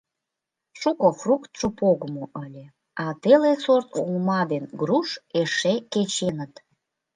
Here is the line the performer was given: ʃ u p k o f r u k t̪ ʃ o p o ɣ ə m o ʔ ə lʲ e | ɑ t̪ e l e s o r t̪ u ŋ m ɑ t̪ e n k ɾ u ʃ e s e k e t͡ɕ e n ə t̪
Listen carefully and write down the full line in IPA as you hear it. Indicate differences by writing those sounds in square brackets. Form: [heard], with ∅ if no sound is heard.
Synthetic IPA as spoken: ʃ u [∅] k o f r u k t̪ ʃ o p o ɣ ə m o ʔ ə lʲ e | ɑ t̪ e l e s o r t̪ u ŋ m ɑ [d̪] e n [ɡ] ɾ u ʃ e [ʃ] e k e t͡ɕ e n ə t̪